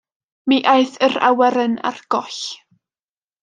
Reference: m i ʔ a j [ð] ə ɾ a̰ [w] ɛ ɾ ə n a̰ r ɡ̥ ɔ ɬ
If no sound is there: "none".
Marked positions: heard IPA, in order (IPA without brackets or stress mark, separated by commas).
θ, w